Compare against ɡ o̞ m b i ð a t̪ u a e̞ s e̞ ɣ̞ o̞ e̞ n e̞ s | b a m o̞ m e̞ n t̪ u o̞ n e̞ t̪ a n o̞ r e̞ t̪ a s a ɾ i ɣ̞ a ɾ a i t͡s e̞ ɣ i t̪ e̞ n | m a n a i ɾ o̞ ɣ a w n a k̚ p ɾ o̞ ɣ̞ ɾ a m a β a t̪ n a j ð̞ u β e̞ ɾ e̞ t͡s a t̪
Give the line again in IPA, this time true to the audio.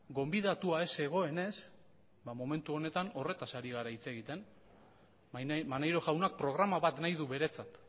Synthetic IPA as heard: ɡ o̞ m b i ð a t̪ u a e̞ s e̞ ɣ̞ o̞ e̞ n e̞ s | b a m o̞ m e̞ n t̪ u o̞ n e̞ t̪ a n o̞ r e̞ t̪ a s a ɾ i ɣ̞ a ɾ a i t͡s e̞ ɣ i t̪ e̞ n | m a n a j ɾ o̞ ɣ a w n a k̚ p ɾ o̞ ɣ̞ ɾ a m a β a t̪ n a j ð̞ u β e̞ ɾ e̞ t͡s a t̪